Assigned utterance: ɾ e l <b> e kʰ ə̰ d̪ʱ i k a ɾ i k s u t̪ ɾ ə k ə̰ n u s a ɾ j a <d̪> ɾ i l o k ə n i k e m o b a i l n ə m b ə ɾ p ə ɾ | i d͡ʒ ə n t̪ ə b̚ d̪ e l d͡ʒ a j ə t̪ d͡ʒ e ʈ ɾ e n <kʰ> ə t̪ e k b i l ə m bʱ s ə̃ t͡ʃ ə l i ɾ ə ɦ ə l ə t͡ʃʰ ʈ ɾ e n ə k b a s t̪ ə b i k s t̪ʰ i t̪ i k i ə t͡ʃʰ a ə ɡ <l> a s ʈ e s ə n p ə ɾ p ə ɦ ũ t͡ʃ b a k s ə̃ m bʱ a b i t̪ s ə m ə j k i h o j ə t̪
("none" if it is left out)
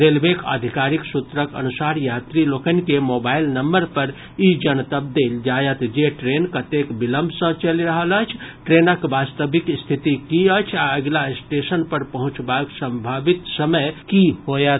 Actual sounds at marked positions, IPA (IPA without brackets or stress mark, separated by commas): b, t̪, k, l